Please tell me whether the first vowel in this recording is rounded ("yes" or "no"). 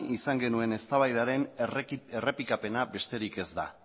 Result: no